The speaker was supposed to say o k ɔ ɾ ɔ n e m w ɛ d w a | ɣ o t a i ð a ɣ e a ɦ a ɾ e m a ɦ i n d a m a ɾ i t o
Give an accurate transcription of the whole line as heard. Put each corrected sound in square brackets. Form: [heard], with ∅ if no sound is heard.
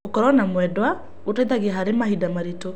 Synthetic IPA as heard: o k ɔ ɾ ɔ n [a] m w ɛ d w a | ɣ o t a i ð a ɣ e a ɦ a ɾ e m a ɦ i [∅] d a m a ɾ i t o

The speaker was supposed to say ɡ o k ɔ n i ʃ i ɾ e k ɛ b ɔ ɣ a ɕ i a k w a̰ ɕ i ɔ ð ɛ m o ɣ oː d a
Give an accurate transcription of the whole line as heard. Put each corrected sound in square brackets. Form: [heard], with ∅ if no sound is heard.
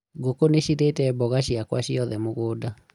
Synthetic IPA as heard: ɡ o k [o] n [e] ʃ i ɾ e [t] ɛ b ɔ ɣ a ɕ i a k w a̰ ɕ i ɔ ð ɛ m o ɣ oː d a

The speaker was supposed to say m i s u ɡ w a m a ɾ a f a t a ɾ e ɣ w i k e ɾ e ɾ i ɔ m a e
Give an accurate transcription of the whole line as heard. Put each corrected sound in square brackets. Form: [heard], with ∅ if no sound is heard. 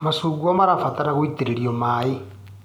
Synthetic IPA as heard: m [a] s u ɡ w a m a ɾ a f a t a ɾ [a] ɣ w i [t] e ɾ e ɾ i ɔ m a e

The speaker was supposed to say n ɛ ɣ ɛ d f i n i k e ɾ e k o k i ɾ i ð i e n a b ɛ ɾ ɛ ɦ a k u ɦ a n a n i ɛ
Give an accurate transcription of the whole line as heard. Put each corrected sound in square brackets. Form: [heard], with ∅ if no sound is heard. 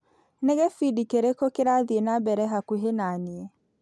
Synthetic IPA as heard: n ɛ ɣ ɛ [∅] f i [d] i k e ɾ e k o k [e] ɾ [a] ð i e n a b ɛ ɾ ɛ ɦ a k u ɦ [e] n a n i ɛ

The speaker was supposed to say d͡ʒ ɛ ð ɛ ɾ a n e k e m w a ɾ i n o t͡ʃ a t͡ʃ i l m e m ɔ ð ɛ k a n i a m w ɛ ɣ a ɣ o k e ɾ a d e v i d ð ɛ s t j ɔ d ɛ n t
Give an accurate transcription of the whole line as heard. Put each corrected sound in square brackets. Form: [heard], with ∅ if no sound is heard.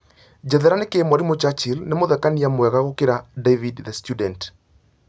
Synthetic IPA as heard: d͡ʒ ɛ ð ɛ ɾ a n e k e m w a ɾ i [m] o t͡ʃ a t͡ʃ i l [n] e m [o] ð ɛ k a n i a m w ɛ ɣ a ɣ o k e ɾ a d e v i d ð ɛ s t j [u] d ɛ n t

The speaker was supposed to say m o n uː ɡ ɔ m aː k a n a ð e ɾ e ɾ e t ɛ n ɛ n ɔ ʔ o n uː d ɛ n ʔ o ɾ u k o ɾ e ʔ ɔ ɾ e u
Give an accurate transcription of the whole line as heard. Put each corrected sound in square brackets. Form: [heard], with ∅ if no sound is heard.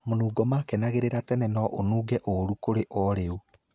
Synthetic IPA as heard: m o n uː ɡ ɔ m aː k [ɛ] n a [ɣ] e ɾ e ɾ [a] t ɛ n ɛ n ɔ ʔ o n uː [ɡ] ɛ [∅] ʔ o ɾ u k o ɾ e ʔ ɔ ɾ e u

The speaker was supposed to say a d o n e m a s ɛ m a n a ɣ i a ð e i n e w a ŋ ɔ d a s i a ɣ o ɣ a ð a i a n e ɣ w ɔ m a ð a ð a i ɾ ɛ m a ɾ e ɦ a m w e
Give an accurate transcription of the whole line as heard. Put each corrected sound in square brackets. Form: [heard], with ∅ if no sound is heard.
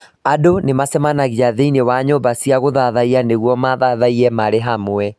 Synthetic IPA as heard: a d o n e m a s ɛ m a n a ɣ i a ð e i n e w a [ɲ] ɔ [b] a s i a ɣ o [ð] a ð a i a n e ɣ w ɔ m a ð a ð a i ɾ ɛ m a ɾ e ɦ a m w [ɛ]

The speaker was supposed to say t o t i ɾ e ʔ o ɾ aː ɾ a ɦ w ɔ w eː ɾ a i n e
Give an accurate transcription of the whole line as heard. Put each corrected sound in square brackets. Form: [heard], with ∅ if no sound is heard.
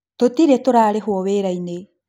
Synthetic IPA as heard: t o t i ɾ e [t] o ɾ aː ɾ [e] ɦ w ɔ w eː ɾ a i n e

